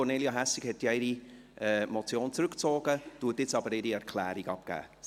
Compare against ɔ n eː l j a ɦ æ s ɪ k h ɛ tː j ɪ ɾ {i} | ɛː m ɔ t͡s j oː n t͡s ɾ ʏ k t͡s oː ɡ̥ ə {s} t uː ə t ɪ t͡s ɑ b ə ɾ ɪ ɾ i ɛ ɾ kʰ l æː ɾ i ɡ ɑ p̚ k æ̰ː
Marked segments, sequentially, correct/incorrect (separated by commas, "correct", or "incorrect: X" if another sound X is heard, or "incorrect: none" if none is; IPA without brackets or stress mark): correct, incorrect: none